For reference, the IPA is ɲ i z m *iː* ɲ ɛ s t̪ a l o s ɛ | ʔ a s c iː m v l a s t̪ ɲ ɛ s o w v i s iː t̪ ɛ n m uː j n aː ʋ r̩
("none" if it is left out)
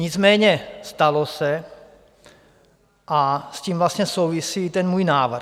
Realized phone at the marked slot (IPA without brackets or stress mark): ɛː